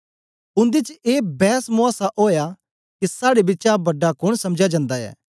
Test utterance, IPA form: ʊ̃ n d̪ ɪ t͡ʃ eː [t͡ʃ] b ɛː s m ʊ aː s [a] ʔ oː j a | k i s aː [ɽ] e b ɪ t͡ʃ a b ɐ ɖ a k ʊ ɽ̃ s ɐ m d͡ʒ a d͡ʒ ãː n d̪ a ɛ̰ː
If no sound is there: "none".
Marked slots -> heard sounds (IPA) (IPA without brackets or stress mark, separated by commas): none, a, ɽ